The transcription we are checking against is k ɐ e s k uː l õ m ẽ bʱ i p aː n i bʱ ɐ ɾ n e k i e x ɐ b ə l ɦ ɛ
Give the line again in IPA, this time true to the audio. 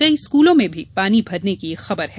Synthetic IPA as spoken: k ɐ i s k uː l õ m ẽ bʱ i p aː n i bʱ ɐ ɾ n e k i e x ɐ b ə ɾ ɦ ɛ

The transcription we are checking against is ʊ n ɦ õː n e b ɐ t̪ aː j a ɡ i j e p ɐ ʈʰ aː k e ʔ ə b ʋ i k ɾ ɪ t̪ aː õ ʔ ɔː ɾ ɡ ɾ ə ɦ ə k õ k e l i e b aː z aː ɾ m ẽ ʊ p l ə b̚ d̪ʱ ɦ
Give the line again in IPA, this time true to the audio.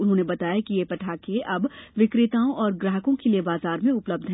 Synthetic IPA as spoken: ʊ n ɦ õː n e b ɐ t̪ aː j a k i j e p ɐ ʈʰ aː k e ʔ ɐ b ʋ ɪ k ɾ ɪ t̪ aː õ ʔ ɔː ɾ ɡ ɾ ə ɦ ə k õ k e l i e b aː z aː ɾ m ẽ ʊ p l ə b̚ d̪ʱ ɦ

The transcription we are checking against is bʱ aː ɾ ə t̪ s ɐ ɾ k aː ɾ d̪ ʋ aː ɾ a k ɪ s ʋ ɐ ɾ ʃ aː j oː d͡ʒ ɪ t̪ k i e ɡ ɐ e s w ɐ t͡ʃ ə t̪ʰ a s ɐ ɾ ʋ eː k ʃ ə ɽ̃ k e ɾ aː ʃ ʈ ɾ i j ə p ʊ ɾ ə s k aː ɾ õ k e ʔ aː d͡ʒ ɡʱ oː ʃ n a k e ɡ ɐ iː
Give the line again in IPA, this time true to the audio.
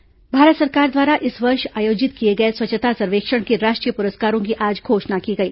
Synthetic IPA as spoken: bʱ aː ɾ ə t̪ s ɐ ɾ k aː ɾ d̪ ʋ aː ɾ a ʔ ɪ s ʋ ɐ ɾ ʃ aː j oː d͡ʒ ɪ t̪ k i e ɡ ɐ e s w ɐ t͡ʃ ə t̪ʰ a s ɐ ɾ ʋ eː k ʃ ə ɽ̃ k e ɾ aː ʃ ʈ ɾ i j ə p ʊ ɾ ə s k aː ɾ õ k i ʔ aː d͡ʒ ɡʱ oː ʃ n a k i ɡ ɐ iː

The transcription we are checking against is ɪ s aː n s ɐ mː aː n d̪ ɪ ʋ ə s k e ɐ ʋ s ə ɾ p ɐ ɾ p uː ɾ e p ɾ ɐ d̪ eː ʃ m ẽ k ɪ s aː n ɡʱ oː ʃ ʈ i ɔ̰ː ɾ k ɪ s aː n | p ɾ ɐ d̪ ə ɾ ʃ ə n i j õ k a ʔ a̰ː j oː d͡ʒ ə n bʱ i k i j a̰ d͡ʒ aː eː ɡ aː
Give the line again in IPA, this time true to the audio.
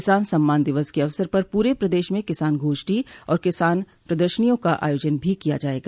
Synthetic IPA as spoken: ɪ s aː n s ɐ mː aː n d̪ ɪ ʋ ə s k e ɐ ʋ s ə ɾ p ɐ ɾ p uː ɾ e p ɾ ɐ d̪ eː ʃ m ẽ k ɪ s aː n ɡʱ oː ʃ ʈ i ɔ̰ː ɾ k ɪ s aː n | p ɾ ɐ d̪ ə ɾ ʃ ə n i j õ k a ʔ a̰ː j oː d͡ʒ ə n bʱ i k i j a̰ d͡ʒ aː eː ɡ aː

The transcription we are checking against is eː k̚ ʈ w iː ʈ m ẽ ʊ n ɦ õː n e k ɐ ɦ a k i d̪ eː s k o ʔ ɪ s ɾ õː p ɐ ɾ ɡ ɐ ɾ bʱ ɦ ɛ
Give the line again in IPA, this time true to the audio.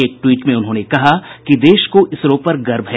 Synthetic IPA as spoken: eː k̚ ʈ w iː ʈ m ẽ ʊ n ɦ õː n e k ɐ ɦ a k i d̪ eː ʃ k o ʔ ɪ s ɾ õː p ɐ ɾ ɡ ɐ ɾ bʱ ɦ ɛ

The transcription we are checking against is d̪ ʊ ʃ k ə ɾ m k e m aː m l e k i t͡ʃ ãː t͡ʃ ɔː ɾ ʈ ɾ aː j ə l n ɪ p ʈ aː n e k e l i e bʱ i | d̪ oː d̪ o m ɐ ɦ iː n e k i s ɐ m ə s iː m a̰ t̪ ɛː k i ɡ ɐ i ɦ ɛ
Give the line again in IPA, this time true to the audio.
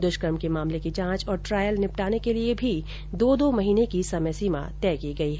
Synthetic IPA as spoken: d̪ ʊ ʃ k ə ɾ m k e m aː m l e k i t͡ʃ ãː t͡ʃ ɔː ɾ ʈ ɾ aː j ə l n ɪ p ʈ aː n e k e l i e bʱ i | d̪ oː d̪ o m ɐ ɦ iː n e k i s ɐ m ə s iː m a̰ t̪ ɛː k i ɡ ɐ i ɦ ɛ

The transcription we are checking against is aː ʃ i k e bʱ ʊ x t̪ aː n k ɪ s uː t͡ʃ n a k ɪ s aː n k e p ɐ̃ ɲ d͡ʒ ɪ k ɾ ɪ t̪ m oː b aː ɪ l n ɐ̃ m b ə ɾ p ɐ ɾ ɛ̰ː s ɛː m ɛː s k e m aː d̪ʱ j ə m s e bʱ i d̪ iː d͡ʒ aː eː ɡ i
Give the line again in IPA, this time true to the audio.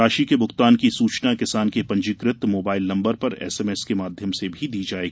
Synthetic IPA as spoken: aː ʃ i k e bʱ ʊ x t̪ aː n k i s uː t͡ʃ n a k ɪ s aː n k e p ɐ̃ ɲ d͡ʒ ɪ k ɾ ɪ t̪ m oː b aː ɪ l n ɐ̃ m b ə ɾ p ɐ ɾ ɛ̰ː s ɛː m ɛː s k e m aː d̪ʱ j ə m s e bʱ i d̪ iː d͡ʒ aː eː ɡ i

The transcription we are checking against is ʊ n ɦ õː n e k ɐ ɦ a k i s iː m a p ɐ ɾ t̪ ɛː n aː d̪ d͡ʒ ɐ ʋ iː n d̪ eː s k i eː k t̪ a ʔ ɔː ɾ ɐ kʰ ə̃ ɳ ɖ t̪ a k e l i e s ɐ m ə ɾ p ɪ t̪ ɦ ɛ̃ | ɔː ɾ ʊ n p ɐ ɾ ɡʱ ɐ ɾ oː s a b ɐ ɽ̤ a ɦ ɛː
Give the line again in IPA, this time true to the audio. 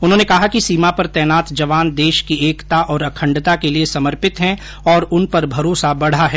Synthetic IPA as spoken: ʊ n ɦ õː n e k ɐ ɦ a k i s iː m a p ɐ ɾ t̪ ɛː n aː t̪ d͡ʒ ɐ ʋ aː n d̪ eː ʃ k i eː k t̪ a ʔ ɔː ɾ ɐ kʰ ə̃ ɳ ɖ t̪ a k e l i e s ɐ m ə ɾ p ɪ t̪ ɦ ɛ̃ | ɔː ɾ ʊ n p ɐ ɾ bʱ ɐ ɾ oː s a b ɐ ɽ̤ a ɦ ɛː

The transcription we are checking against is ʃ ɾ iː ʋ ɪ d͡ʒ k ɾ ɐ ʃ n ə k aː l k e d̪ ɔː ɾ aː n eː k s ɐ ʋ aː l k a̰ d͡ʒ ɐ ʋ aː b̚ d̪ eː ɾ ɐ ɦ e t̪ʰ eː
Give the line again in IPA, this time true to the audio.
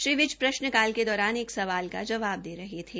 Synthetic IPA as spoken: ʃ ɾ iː ʋ ɪ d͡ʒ p ɾ ɐ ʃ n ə k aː l k e d̪ ɔː ɾ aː n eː k s ɐ ʋ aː l k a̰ d͡ʒ ɐ ʋ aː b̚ d̪ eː ɾ ɐ ɦ e t̪ʰ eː

